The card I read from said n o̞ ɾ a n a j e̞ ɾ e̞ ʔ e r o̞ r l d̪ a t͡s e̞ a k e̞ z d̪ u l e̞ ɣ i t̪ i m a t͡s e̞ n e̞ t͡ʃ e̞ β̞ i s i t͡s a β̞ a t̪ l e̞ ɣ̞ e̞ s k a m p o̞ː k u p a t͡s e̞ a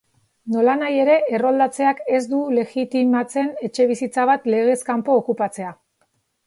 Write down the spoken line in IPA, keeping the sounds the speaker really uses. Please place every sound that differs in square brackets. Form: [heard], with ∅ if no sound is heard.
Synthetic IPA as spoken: n o̞ [l] a n a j e̞ ɾ e̞ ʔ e r o̞ [∅] l d̪ a t͡s e̞ a k e̞ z d̪ u l e̞ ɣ i t̪ i m a t͡s e̞ n e̞ t͡ʃ e̞ β̞ i s i t͡s a β̞ a t̪ l e̞ ɣ̞ e̞ s k a m p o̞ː k u p a t͡s e̞ a